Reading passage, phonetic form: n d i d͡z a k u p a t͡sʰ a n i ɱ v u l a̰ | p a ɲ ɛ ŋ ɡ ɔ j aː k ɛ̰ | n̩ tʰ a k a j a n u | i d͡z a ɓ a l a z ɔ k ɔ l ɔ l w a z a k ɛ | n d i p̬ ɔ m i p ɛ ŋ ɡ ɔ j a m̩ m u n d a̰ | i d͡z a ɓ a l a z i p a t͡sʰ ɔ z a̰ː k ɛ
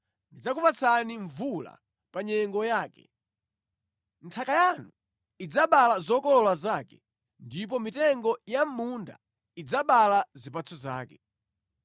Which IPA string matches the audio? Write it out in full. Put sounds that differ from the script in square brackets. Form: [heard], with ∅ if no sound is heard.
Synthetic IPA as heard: n d i d͡z a k u p a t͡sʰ a n i ɱ v u l a̰ | p a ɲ ɛ ŋ ɡ ɔ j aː k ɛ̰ | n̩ tʰ a k a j a n u | i d͡z a ɓ a l a z ɔ k ɔ l ɔ l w a z a k ɛ | n d i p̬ ɔ m i [t] ɛ ŋ ɡ ɔ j a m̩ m u n d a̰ | i d͡z a ɓ a l a z i p a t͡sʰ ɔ z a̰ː k ɛ